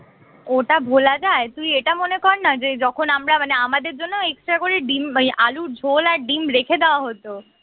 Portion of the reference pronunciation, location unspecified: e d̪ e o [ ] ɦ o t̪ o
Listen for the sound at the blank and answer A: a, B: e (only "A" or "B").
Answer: A